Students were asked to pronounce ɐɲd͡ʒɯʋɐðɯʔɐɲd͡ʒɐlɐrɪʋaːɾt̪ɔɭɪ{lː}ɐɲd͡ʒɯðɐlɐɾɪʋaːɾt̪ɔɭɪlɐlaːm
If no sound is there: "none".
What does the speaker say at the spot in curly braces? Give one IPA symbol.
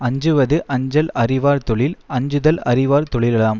l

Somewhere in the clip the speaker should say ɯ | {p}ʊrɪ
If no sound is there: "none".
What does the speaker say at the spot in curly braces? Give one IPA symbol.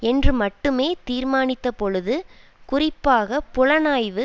k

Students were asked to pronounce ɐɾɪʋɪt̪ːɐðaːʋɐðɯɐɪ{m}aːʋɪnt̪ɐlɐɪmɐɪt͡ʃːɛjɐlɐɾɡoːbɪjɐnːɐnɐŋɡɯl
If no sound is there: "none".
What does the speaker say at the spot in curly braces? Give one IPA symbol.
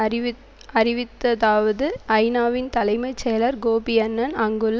n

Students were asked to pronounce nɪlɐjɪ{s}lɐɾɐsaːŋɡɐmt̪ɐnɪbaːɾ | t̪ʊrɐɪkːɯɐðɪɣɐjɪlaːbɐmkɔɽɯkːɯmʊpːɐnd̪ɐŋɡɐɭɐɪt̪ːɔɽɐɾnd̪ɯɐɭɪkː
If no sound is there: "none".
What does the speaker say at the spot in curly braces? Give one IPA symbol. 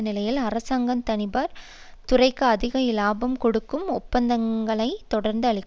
none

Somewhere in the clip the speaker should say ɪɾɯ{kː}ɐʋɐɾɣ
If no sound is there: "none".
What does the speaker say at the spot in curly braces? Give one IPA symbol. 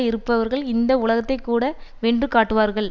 pː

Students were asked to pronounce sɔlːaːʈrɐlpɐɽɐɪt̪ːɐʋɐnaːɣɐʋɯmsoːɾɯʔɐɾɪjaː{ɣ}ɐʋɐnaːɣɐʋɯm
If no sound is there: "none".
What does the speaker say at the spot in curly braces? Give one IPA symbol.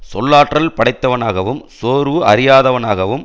ð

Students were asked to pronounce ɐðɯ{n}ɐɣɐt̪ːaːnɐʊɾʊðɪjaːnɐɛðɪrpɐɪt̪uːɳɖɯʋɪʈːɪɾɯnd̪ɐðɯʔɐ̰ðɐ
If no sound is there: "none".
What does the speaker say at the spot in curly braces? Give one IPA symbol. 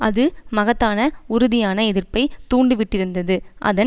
m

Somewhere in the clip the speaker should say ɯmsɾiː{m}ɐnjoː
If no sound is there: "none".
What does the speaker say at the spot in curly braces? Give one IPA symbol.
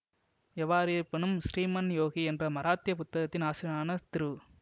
m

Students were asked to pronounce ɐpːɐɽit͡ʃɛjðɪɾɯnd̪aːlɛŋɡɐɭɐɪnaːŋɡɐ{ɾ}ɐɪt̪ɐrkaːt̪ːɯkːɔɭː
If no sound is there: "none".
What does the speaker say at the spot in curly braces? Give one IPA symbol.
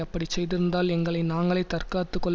ɭ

